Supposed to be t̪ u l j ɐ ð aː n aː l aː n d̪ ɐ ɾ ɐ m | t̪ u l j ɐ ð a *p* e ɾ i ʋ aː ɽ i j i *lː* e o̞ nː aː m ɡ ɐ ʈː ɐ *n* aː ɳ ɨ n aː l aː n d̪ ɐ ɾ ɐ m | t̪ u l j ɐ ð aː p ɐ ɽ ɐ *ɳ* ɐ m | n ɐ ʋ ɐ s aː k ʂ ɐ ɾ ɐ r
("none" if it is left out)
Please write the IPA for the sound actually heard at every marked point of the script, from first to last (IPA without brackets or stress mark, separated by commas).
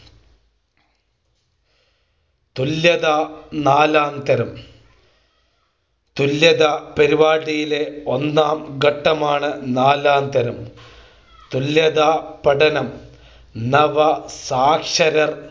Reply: p, l, m, n